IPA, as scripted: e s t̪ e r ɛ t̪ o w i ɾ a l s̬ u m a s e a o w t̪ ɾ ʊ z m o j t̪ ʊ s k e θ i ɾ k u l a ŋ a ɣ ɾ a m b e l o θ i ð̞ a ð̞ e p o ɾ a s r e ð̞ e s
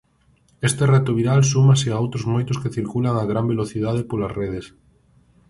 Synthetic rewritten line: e s t̪ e r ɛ t̪ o β i ɾ a l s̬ u m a s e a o w t̪ ɾ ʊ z m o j t̪ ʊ s k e θ i ɾ k u l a ŋ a ɣ ɾ a m b e l o θ i ð̞ a ð̞ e p o l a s r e ð̞ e s